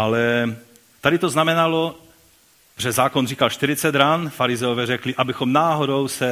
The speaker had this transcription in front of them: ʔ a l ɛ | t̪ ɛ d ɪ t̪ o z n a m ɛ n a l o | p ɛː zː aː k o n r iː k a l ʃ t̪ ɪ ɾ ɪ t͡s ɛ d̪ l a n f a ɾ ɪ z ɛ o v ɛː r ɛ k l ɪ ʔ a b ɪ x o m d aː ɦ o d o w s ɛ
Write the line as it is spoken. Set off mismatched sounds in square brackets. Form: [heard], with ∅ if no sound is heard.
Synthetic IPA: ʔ a l ɛ | t̪ [a] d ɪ t̪ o z n a m ɛ n a l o | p [ɛ] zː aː k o n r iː k a l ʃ t̪ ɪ ɾ ɪ t͡s ɛ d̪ [ɾ] a n f a ɾ ɪ z ɛ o v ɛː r ɛ k l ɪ ʔ a b ɪ x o m [n] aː ɦ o d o w s ɛ